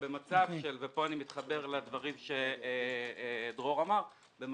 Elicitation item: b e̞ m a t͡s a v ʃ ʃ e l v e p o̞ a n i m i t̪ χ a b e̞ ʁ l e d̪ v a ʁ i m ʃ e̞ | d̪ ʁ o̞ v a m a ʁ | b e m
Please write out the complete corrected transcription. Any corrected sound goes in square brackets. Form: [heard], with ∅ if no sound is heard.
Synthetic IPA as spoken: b e̞ m a t͡s a v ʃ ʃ e l v e p o̞ a n i m i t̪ χ a b e̞ ʁ l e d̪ v a ʁ i m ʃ e̞ | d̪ ʁ o̞ [ʁ] a m a ʁ | b e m